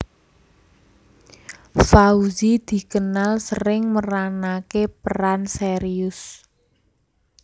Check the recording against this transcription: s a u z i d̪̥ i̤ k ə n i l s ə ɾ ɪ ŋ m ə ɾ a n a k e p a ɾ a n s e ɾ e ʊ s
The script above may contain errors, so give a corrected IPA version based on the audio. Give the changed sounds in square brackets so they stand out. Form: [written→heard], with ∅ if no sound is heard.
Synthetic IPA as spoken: [s→f] a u z i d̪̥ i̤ k ə n [i→a] l s ə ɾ ɪ ŋ m ə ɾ a n a k e p [a→ə] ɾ a n s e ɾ [e→i] ʊ s